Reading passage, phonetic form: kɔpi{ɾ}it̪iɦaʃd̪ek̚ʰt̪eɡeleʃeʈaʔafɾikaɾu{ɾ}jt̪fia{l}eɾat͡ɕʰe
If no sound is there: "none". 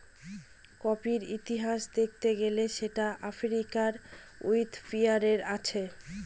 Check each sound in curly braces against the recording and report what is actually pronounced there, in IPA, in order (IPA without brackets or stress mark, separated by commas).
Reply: ɾ, none, ɾ